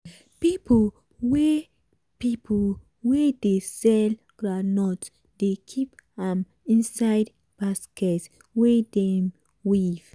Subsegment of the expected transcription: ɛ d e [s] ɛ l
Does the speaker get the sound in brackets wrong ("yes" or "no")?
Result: no